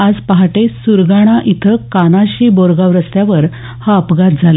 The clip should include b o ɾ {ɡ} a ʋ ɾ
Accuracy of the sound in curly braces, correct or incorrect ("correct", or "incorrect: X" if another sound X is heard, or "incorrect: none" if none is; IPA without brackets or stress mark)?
correct